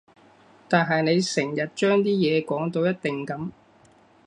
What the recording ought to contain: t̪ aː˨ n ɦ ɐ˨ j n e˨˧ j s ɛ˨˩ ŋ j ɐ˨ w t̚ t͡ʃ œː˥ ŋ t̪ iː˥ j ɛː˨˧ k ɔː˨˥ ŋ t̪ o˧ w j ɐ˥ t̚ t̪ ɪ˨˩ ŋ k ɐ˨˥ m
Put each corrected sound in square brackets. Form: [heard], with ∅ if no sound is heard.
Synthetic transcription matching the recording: t̪ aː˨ n ɦ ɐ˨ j n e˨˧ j s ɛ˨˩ ŋ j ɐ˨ [∅] t̚ t͡ʃ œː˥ ŋ t̪ iː˥ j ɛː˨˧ k ɔː˨˥ ŋ t̪ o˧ w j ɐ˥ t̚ t̪ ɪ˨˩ ŋ k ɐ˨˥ m